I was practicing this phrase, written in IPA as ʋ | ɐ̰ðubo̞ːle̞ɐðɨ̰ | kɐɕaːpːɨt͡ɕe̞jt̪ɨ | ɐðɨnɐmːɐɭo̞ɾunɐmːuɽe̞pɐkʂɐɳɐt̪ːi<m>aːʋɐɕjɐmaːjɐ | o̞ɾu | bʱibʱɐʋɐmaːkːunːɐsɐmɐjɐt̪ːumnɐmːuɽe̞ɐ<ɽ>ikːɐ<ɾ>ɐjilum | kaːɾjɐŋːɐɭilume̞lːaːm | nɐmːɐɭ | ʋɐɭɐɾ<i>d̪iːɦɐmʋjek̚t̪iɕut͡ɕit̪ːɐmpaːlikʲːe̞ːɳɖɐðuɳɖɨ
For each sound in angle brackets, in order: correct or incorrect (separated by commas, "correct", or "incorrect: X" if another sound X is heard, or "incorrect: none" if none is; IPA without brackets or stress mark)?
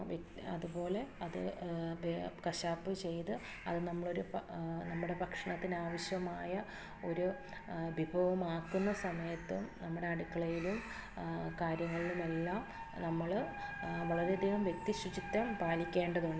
incorrect: n, correct, incorrect: ɭ, incorrect: e